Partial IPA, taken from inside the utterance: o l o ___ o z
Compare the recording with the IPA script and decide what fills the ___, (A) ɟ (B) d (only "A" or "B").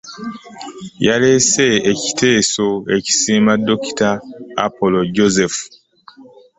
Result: A